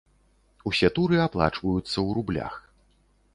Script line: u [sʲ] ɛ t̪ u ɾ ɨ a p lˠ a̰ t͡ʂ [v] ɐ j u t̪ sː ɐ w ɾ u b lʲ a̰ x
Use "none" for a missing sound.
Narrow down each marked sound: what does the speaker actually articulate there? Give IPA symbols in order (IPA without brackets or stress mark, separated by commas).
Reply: sʲ, v